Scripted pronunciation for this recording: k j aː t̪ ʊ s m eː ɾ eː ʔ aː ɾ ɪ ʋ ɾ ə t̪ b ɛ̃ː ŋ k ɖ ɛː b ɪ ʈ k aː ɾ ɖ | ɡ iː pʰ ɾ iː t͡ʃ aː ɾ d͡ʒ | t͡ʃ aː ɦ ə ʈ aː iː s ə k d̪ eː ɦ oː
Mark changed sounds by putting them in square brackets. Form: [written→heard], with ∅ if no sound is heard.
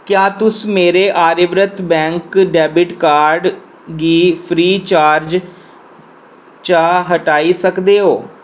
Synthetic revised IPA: k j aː t̪ ʊ s m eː ɾ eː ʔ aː ɾ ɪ ʋ ɾ ə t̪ b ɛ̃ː ŋ k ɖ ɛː b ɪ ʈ k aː ɾ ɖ | ɡ iː pʰ ɾ iː t͡ʃ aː ɾ d͡ʒ | t͡ʃ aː ɦ ə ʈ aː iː s ə k d̪ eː ɦ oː